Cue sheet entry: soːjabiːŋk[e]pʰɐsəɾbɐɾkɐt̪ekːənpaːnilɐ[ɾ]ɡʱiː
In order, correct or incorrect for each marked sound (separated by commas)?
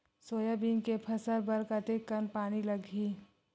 correct, incorrect